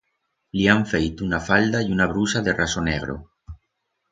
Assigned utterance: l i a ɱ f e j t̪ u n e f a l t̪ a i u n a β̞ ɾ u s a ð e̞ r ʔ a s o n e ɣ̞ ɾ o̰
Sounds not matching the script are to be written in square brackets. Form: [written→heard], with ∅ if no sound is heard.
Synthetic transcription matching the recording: l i a ɱ f e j t̪ u n [e→a] f a l [t̪→d̪] a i u n a β̞ ɾ u s a ð e̞ r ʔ a s o n e ɣ̞ ɾ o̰